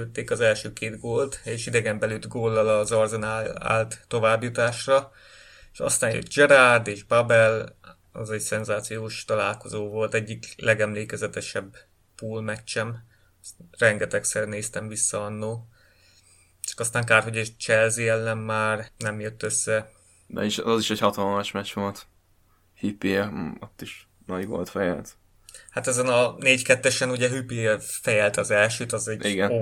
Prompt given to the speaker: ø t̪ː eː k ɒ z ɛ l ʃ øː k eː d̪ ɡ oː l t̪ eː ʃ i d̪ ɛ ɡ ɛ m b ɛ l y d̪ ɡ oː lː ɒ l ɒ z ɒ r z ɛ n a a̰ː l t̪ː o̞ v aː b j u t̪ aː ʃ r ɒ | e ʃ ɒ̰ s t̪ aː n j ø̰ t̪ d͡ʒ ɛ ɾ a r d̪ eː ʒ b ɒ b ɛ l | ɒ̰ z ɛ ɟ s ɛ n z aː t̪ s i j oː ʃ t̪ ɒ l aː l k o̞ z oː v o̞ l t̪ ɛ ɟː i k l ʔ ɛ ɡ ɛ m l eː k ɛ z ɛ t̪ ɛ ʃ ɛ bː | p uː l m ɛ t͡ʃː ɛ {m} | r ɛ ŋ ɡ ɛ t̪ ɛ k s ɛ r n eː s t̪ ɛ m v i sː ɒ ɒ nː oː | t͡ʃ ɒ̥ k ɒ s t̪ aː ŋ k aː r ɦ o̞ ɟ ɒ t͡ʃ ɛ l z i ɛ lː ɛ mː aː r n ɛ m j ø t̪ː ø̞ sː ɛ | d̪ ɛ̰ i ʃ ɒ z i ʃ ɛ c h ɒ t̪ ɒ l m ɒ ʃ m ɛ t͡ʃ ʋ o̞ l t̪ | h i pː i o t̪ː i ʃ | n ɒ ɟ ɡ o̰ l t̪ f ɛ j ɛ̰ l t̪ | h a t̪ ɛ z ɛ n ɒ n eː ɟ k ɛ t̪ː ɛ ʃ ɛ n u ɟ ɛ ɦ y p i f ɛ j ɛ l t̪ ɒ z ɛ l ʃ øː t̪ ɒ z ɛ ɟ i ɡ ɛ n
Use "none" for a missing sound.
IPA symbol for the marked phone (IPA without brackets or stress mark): m